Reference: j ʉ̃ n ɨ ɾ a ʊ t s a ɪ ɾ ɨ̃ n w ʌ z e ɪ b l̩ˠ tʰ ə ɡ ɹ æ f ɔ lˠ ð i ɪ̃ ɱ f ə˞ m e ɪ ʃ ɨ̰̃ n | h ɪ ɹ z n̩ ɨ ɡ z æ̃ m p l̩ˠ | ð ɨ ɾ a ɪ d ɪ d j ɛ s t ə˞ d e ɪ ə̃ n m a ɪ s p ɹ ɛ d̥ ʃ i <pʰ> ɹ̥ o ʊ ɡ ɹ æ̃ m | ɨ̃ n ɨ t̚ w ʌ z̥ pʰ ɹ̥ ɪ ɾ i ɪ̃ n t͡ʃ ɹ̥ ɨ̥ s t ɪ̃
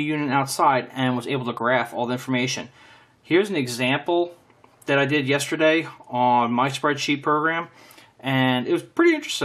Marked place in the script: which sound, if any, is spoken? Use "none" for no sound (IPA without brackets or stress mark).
pʰ